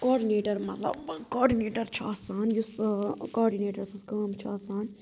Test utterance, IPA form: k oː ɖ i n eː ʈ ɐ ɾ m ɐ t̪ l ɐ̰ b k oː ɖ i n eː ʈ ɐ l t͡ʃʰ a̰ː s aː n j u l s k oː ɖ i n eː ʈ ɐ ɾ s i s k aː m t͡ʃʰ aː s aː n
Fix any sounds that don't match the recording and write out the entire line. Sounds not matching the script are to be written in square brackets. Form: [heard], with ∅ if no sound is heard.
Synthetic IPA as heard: k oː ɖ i n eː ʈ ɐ ɾ m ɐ t̪ l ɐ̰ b k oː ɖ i n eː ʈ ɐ [ɾ] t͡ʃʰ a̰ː s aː n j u [∅] s k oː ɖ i n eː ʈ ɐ ɾ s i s k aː m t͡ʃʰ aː s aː n